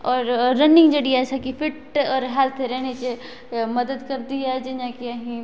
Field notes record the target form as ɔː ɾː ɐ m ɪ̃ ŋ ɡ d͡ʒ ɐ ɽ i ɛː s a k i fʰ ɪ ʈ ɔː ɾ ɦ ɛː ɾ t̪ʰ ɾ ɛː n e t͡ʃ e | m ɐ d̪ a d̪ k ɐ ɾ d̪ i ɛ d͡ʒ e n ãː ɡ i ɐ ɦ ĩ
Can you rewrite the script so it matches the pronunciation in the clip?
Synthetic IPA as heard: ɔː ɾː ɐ n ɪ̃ ŋ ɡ d͡ʒ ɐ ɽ i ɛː s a k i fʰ ɪ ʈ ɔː ɾ ɦ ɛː l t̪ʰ ɾ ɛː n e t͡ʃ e | m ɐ d̪ ə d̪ k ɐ ɾ d̪ i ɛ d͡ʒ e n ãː k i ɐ ɦ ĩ